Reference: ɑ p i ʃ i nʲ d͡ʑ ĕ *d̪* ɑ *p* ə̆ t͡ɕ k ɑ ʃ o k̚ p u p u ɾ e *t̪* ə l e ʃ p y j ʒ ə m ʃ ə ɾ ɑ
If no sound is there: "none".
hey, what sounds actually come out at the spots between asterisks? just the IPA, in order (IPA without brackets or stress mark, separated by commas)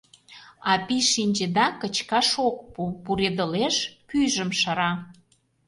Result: d̪, k, d̪